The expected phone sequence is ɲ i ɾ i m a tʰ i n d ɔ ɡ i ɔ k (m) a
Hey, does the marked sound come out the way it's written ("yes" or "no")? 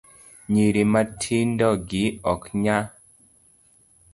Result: no